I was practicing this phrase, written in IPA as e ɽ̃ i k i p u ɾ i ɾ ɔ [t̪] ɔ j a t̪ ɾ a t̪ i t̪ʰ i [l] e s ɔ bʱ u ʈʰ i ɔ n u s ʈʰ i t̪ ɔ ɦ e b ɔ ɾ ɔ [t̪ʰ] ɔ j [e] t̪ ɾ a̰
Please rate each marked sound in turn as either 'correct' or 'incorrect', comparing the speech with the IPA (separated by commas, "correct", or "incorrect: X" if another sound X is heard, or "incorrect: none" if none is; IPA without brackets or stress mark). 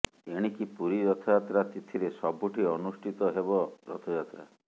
incorrect: t̪ʰ, incorrect: ɾ, correct, incorrect: a